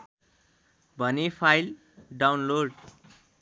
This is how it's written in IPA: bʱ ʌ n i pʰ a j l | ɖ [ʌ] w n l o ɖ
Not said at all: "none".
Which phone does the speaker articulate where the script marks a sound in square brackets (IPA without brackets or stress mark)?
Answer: a